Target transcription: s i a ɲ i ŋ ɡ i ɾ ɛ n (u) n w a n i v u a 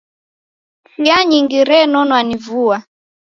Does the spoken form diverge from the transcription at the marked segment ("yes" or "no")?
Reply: yes